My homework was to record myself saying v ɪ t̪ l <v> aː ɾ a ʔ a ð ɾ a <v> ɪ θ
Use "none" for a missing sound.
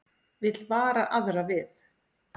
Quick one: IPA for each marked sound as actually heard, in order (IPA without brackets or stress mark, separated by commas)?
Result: v, v